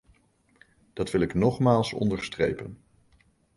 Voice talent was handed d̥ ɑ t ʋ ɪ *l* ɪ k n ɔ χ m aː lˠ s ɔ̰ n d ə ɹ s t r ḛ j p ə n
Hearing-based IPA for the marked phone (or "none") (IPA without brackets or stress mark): l